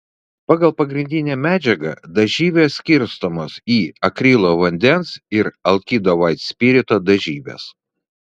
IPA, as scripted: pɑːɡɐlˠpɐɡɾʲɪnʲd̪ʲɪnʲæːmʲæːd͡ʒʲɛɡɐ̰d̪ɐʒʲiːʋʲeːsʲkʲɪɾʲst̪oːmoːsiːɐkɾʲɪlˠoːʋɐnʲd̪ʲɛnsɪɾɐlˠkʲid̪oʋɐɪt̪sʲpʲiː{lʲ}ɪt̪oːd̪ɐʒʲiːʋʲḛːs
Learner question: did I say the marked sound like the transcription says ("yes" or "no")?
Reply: no